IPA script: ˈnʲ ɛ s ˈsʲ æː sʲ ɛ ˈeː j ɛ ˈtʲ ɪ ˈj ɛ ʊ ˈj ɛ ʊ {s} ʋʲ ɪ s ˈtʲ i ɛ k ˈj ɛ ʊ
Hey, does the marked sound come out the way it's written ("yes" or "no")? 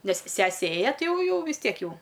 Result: no